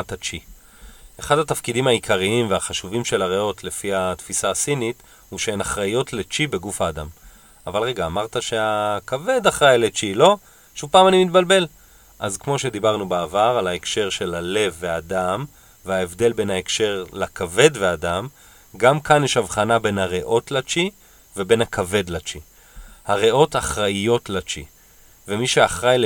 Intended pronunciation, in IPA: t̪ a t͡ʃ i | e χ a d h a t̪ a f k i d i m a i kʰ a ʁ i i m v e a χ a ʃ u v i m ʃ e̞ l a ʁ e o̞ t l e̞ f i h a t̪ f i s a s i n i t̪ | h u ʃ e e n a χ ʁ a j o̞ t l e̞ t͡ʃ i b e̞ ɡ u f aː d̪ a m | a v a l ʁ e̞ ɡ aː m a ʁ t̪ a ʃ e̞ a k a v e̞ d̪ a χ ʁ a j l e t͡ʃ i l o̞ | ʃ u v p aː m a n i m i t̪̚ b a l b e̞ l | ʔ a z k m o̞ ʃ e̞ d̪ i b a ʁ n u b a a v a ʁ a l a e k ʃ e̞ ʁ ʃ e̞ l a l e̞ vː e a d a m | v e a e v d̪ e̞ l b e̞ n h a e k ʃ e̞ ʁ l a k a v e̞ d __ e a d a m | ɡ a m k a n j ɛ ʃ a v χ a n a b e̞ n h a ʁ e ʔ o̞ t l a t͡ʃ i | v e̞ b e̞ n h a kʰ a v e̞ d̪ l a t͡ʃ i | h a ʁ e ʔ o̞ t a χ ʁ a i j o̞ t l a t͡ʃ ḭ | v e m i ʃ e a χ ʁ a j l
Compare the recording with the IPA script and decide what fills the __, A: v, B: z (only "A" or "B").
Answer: A